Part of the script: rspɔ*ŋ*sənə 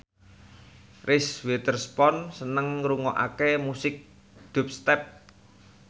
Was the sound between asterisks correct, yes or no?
no